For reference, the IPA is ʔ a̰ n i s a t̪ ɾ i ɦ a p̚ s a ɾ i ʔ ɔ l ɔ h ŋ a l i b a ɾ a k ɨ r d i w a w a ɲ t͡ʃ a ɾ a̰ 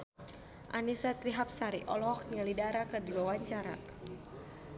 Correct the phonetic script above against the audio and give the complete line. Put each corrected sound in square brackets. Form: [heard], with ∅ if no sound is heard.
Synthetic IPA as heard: ʔ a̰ n i s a t̪ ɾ i ɦ a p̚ s a ɾ i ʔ ɔ l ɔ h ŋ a l i [d] a ɾ a k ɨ r d i w a w a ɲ t͡ʃ a ɾ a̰